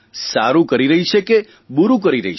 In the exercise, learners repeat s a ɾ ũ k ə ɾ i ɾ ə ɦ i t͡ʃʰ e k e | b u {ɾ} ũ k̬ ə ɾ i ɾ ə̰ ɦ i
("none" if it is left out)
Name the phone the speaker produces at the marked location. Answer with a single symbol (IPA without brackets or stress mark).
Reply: ɾ